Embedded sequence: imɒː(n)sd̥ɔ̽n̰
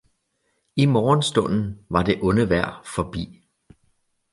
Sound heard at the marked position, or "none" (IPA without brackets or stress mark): n